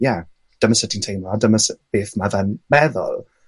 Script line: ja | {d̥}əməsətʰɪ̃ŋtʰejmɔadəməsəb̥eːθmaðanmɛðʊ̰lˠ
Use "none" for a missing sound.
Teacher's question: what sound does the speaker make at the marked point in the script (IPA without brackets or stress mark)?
d̥